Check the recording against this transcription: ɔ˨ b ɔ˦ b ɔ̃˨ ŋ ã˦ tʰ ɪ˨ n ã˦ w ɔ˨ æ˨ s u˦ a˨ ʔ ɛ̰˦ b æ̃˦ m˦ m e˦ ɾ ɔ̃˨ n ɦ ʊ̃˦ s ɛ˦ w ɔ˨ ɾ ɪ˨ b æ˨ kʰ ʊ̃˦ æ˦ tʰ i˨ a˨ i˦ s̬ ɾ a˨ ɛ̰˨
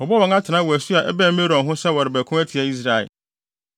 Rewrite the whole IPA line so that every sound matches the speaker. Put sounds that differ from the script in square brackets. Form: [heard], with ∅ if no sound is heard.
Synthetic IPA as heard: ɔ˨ b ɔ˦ [w] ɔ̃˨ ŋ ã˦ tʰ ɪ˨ n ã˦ w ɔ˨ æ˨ s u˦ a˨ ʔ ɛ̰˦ b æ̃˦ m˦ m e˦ ɾ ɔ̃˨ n ɦ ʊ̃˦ s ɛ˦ w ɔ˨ ɾ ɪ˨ b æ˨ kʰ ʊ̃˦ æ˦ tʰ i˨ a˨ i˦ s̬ ɾ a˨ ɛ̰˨